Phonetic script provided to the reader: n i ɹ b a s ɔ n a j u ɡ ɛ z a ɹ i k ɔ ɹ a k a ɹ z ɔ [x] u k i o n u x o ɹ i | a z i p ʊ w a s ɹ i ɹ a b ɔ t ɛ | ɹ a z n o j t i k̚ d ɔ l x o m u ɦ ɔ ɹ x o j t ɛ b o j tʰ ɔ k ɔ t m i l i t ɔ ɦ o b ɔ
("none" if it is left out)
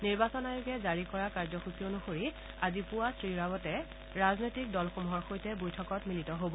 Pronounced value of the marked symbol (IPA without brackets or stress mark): x